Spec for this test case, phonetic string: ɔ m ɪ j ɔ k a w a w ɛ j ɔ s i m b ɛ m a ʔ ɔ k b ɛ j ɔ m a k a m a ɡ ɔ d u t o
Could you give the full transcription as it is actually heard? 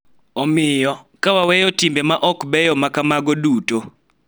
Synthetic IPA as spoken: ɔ m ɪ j ɔ k a w a w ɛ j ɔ t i m b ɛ m a ʔ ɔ k b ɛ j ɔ m a k a m a ɡ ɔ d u t o